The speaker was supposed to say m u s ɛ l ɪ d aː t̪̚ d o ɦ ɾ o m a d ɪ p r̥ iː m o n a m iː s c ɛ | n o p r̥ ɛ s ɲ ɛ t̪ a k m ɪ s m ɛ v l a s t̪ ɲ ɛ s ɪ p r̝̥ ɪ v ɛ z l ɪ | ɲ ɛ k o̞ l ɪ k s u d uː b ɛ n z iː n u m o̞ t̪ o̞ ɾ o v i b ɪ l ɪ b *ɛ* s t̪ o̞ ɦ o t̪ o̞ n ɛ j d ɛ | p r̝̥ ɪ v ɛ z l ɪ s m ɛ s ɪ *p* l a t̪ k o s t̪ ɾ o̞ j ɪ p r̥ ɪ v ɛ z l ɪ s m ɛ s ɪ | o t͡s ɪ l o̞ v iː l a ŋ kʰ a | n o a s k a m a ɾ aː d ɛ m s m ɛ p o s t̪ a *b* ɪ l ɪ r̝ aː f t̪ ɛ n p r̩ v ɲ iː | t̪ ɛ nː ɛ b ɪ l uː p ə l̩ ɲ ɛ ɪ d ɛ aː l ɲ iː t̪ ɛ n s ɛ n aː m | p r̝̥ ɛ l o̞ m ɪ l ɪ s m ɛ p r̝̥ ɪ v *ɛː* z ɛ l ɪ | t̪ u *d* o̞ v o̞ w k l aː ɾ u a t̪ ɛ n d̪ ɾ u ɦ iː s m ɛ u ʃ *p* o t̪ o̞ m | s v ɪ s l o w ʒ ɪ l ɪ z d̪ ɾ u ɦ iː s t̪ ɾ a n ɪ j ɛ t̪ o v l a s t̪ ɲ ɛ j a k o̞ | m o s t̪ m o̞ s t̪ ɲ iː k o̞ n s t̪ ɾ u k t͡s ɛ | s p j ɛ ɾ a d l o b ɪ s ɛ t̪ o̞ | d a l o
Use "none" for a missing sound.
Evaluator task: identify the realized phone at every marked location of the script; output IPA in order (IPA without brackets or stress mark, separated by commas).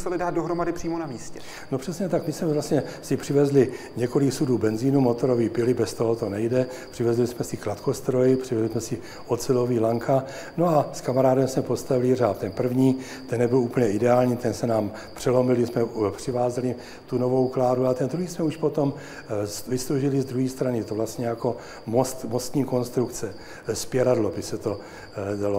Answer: ɛ, k, v, aː, n, p